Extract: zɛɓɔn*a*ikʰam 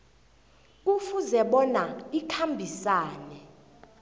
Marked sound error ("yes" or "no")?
no